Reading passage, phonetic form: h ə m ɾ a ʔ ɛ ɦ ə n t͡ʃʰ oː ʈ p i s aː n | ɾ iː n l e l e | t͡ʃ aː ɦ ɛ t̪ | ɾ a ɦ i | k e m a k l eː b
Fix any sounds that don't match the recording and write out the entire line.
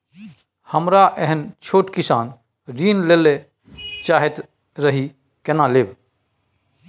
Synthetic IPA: h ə m ɾ a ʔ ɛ ɦ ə n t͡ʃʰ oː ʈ k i s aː n | ɾ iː n l e l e | t͡ʃ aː ɦ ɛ t̪ | ɾ ə ɦ i | k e n a l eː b

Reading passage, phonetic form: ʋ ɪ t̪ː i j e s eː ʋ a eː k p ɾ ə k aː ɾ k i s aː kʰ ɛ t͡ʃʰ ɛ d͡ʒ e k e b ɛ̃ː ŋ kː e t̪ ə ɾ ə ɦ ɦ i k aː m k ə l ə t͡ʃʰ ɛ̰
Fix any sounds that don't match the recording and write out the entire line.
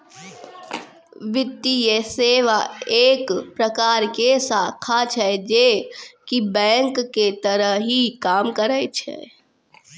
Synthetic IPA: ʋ ɪ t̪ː i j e s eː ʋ a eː k p ɾ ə k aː ɾ k e s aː kʰ a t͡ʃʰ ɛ d͡ʒ e k i b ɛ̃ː ŋ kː e t̪ ə ɾ ə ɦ ɦ i k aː m k ə ɾ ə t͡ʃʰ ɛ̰

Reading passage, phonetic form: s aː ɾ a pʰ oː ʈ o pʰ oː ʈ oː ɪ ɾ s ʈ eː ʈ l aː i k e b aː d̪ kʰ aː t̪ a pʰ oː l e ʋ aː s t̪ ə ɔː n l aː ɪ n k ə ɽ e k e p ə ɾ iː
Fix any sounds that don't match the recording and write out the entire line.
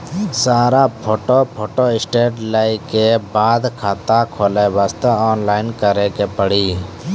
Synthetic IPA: s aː ɾ a pʰ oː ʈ o pʰ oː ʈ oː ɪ s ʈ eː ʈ l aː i k e b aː d̪ kʰ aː t̪ a kʰ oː l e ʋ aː s t̪ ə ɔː n l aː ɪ n k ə ɾ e k e p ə ɽ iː

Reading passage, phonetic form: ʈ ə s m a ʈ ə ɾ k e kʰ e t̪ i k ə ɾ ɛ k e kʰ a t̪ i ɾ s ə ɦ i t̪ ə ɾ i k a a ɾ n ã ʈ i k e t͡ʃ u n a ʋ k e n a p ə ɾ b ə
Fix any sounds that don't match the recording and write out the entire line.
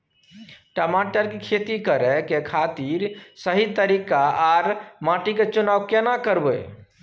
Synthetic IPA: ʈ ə m a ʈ ə ɾ k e kʰ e t̪ i k ə ɾ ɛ k e kʰ a t̪ i ɾ s ə ɦ i t̪ ə ɾ i k a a ɾ m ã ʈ i k e t͡ʃ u n a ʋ k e n a k ə ɾ b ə

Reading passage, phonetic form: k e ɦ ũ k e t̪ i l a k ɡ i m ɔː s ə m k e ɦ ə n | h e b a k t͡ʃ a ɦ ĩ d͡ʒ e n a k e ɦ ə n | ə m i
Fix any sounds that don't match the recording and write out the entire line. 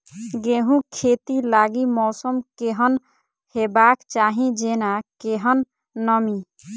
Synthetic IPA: ɡ e ɦ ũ kʰ e t̪ i l a ɡ i m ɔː s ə m k e ɦ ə n | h e b a k t͡ʃ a ɦ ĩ d͡ʒ e n a k e ɦ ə nː | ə m i

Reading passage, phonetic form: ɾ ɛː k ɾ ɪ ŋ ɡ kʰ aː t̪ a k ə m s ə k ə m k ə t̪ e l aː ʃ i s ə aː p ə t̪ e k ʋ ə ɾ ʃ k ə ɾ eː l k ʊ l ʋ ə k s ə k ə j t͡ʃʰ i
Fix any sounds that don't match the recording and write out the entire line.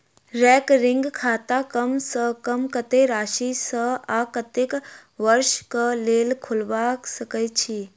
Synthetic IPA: ɾ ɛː k ɾ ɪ ŋ ɡ kʰ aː t̪ a k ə m s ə k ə m k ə t̪ e ɾ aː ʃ i s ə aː k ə t̪ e k ʋ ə ɾ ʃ k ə l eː l kʰ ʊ l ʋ a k s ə k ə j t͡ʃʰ i

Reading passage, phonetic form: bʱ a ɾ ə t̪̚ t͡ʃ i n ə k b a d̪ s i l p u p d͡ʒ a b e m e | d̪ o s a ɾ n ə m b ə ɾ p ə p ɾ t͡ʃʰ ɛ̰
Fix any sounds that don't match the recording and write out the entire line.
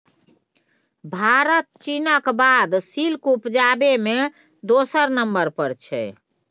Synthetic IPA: bʱ a ɾ ə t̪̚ t͡ʃ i n ə k b a d̪ s i l k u p d͡ʒ a b e m e | d̪ o s ə ɾ n ə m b ə ɾ p ə ɾ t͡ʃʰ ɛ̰

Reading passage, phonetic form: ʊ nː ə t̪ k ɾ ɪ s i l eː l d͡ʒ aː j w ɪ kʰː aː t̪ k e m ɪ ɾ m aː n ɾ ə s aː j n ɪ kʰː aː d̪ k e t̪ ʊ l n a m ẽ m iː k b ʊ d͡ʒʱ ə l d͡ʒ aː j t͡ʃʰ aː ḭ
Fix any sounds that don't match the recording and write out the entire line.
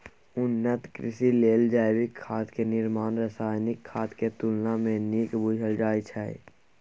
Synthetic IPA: ʊ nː ə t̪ k ɾ ɪ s i l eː l d͡ʒ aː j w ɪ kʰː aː t̪ k e n ɪ ɾ m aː n ɾ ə s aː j n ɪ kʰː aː t̪ k e t̪ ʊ l n a m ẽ n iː k b ʊ d͡ʒʱ ə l d͡ʒ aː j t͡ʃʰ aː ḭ

